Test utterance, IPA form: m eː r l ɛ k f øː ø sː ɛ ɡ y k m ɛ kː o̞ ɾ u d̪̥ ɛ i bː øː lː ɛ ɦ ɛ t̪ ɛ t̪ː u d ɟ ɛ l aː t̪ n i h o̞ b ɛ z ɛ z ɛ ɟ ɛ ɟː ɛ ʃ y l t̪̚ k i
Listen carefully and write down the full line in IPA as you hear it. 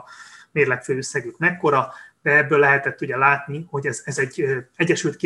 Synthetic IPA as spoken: m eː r l ɛ k f øː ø sː ɛ ɡ y k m ɛ kː o̞ ɾ ɒ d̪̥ ɛ ɛ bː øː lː ɛ ɦ ɛ t̪ ɛ t̪ː u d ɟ ɛ l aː t̪ n i h o̞ ɟ ɛ z ɛ z ɛ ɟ ɛ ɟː ɛ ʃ y l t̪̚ k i